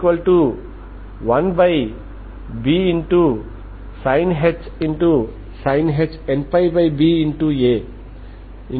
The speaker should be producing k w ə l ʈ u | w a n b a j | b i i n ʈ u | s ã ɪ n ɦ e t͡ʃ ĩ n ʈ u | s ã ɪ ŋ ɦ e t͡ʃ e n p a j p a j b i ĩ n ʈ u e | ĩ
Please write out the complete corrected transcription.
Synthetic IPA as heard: k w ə l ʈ u | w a n b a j | b i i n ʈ u | s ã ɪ n ɦ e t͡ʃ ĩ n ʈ u | s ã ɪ n ɦ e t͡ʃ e n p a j b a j b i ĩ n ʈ u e | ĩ

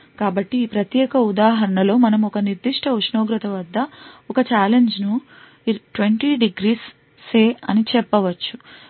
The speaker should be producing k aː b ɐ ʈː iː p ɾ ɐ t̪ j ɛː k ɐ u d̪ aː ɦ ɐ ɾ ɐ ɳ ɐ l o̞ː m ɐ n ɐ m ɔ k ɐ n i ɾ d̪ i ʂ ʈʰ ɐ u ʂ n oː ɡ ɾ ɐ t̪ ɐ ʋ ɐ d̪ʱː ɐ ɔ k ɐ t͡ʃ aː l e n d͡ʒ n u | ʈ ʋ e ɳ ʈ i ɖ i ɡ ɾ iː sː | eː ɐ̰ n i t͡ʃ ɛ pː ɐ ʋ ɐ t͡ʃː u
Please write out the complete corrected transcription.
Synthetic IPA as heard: k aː b ɐ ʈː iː p ɾ ɐ t̪ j ɛː k ɐ u d̪ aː ɦ ɐ ɾ ɐ ɳ ɐ l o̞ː m ɐ n ɐ m ɔ k ɐ n i ɾ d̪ i ʂ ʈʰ ɐ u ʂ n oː ɡ ɾ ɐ t̪ ɐ ʋ ɐ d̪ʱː ɐ ɔ k ɐ t͡ʃ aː l e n d͡ʒ n u | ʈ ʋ e ɳ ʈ i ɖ i ɡ ɾ iː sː | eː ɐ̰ n i t͡ʃ ɛ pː ɐ ʋ ɐ t͡ʃː u

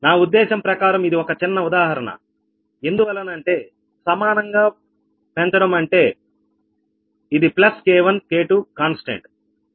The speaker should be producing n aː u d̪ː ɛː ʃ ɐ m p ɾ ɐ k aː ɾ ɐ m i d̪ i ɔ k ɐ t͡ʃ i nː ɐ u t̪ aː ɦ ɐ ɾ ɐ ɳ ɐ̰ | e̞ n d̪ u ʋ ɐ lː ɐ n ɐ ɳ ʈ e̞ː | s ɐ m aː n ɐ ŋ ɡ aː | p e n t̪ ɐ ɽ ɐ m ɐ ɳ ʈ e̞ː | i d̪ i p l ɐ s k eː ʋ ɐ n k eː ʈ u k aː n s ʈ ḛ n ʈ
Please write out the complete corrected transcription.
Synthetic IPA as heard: n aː u d̪ː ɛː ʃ ɐ m p ɾ ɐ k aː ɾ ɐ m i d̪ i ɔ k ɐ t͡ʃ i nː ɐ u d̪ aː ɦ ɐ ɾ ɐ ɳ ɐ̰ | e̞ n d̪ u ʋ ɐ lː ɐ n ɐ ɳ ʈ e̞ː | s ɐ m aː n ɐ ŋ ɡ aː | p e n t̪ ɐ ɽ ɐ m ɐ ɳ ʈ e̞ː | i d̪ i p l ɐ s k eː ʋ ɐ n k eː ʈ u k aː n s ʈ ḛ ɳ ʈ

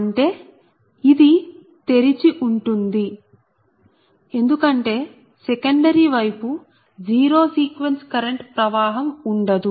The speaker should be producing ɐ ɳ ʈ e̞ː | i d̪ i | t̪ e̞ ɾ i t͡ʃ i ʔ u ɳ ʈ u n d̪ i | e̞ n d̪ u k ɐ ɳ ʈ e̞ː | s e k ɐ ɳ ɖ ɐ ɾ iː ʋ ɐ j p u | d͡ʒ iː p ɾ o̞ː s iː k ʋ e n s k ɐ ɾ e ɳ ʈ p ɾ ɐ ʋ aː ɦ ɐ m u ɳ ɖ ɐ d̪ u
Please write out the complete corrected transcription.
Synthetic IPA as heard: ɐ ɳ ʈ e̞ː | i d̪ i | t̪ e̞ ɾ i t͡ʃ i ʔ u ɳ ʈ u n d̪ i | e̞ n d̪ u k ɐ ɳ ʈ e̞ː | s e k ɐ ɳ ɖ ɐ ɾ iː ʋ ɐ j p u | d͡ʒ iː ɾ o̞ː s iː k ʋ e n s k ɐ ɾ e ɳ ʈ p ɾ ɐ ʋ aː ɦ ɐ m u ɳ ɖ ɐ d̪ u

